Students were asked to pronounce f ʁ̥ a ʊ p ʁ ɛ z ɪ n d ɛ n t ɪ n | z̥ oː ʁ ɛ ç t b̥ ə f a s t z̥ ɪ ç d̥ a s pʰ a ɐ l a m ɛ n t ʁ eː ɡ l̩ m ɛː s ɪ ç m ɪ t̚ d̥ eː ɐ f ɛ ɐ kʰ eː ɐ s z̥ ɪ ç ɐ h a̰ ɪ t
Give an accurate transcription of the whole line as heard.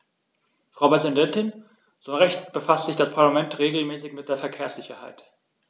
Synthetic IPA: f ʁ̥ a ʊ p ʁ ɛ z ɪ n d ɛ n t ɪ n | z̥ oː ʁ ɛ ç t b̥ ə f a s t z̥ ɪ ç d̥ a s pʰ a ɐ l a m ɛ n t ʁ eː ɡ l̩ m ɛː s ɪ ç m ɪ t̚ d̥ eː ɐ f ɛ ɐ kʰ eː ɐ s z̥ ɪ ç ɐ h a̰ ɪ t